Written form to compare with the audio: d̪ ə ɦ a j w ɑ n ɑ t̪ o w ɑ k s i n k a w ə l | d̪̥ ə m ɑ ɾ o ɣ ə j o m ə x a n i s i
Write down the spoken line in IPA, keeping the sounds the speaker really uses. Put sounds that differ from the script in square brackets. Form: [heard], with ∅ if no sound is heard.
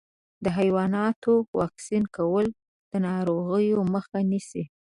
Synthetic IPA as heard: d̪ ə ɦ a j w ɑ n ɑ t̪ o w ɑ k s i n k a w ə l | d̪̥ ə [n] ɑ ɾ o ɣ ə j o m ə x a n i s i